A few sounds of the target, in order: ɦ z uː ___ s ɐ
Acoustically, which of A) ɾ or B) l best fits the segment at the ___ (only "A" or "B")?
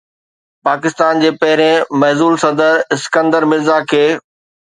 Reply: B